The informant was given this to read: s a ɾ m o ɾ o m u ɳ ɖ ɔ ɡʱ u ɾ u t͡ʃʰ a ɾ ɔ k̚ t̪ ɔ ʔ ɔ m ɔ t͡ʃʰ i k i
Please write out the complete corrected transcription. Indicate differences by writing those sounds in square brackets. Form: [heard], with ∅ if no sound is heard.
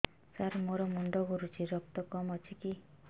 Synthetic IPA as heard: s a ɾ m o ɾ [ɔ] m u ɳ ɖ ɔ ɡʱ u ɾ u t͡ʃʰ [i] ɾ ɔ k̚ t̪ ɔ [k] ɔ m ɔ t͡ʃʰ i k i